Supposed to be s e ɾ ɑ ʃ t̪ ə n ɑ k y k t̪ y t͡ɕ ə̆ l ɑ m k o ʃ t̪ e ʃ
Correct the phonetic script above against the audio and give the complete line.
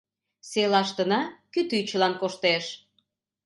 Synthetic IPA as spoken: s e l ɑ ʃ t̪ ə n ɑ k y t̪ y t͡ɕ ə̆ l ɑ n k o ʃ t̪ e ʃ